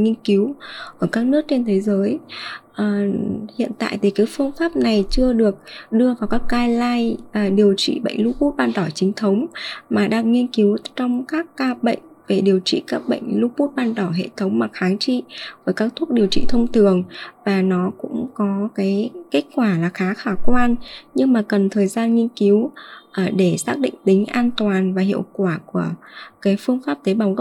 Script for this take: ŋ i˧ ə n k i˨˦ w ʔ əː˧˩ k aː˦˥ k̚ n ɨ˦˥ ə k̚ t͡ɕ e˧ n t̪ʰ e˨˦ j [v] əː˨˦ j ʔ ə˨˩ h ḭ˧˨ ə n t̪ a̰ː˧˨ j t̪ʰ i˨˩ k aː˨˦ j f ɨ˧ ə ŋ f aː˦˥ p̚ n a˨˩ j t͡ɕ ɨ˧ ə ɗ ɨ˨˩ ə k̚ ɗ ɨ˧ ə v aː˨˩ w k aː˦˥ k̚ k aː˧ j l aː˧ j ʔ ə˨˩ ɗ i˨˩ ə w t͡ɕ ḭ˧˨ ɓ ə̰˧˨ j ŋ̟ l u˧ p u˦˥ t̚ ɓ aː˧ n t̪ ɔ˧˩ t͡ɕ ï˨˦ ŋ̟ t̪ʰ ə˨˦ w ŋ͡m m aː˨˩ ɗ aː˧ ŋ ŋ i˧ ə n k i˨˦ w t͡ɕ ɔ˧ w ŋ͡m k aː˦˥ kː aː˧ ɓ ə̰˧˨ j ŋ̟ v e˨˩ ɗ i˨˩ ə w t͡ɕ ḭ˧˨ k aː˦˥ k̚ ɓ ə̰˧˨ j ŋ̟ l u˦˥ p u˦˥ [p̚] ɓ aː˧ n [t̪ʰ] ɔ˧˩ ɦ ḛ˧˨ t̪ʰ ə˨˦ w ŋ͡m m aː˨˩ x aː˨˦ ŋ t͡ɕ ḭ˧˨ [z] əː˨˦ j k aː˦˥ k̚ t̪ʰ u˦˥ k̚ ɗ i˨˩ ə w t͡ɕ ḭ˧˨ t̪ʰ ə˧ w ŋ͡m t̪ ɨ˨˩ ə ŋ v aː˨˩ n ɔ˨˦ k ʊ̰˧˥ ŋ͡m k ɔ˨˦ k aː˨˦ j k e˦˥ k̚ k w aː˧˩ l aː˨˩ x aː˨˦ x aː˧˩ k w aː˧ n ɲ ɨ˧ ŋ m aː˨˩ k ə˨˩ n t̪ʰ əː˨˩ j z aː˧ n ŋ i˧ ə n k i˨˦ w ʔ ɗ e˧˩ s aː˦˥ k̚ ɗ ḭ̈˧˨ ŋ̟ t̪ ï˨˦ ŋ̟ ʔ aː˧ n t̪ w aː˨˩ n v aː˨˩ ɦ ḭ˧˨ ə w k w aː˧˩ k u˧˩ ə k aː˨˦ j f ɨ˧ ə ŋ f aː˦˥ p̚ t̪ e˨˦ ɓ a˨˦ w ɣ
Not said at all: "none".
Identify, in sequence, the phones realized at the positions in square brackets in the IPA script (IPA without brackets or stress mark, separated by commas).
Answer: z, t̚, t̪, v